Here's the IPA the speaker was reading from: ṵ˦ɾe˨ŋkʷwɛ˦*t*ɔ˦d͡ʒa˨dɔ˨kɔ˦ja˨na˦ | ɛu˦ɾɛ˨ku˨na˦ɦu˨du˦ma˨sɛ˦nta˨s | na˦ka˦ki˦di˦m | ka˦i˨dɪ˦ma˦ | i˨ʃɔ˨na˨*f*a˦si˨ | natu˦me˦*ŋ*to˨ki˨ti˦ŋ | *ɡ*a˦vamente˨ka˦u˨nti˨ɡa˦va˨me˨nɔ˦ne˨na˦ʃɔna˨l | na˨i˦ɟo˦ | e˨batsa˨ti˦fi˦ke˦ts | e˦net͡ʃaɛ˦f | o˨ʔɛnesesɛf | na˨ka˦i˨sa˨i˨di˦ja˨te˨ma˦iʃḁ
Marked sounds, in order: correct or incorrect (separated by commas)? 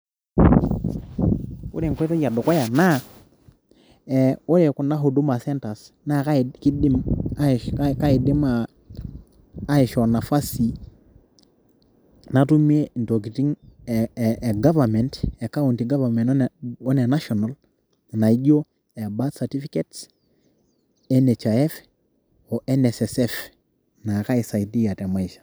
correct, correct, incorrect, correct